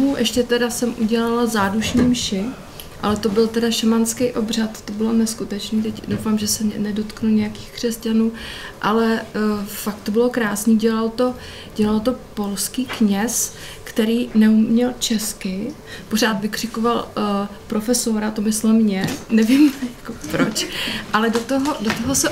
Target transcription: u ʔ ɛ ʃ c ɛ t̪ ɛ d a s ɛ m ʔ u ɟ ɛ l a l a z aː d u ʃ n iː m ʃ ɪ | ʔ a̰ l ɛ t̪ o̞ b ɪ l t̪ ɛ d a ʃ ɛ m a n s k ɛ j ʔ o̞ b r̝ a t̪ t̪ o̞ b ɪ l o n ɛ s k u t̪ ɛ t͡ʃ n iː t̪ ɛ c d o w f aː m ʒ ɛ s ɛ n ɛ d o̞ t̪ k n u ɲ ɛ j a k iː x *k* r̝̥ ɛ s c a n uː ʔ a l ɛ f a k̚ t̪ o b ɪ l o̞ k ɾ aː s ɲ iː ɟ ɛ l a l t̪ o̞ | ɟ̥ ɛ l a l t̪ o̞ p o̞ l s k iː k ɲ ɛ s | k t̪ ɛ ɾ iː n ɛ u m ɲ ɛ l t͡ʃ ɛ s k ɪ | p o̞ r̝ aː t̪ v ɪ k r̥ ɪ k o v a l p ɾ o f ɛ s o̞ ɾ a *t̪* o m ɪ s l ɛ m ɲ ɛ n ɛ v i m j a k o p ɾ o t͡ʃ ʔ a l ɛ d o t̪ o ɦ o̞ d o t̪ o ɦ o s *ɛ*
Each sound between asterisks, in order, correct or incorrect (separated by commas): correct, correct, correct